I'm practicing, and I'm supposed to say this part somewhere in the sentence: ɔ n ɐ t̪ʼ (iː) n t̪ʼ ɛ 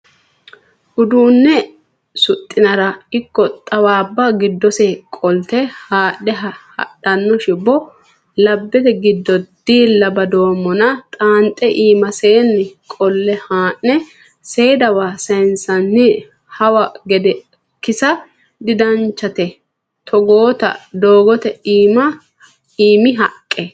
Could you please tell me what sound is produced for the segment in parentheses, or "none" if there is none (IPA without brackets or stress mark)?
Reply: aː